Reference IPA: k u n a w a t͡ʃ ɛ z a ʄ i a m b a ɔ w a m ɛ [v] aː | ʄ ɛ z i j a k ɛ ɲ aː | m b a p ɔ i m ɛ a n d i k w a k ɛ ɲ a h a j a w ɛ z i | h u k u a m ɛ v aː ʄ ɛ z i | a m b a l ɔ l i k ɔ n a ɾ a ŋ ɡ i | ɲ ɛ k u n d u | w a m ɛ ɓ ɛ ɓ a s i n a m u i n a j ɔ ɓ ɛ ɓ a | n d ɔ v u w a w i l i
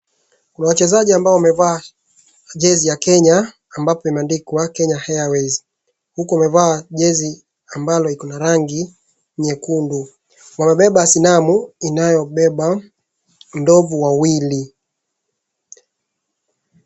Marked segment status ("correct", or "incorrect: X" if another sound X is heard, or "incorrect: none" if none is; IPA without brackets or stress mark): correct